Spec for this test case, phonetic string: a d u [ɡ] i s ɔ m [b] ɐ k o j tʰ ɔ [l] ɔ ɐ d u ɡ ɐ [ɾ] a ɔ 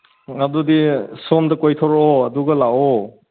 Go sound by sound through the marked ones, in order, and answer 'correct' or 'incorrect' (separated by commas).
incorrect, incorrect, incorrect, incorrect